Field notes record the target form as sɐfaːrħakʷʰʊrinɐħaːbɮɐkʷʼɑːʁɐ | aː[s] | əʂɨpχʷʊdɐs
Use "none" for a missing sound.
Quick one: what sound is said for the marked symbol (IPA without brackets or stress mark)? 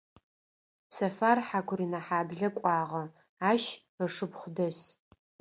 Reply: ʃ